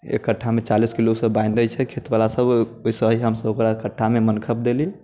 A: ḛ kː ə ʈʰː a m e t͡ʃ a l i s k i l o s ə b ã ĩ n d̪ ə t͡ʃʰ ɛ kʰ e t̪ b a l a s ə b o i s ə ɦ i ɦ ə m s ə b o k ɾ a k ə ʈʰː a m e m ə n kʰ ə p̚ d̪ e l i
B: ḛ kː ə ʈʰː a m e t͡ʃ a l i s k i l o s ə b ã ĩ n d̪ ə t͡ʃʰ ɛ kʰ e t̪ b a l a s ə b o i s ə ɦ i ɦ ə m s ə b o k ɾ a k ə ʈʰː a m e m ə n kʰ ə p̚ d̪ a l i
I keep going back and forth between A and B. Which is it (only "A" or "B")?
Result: A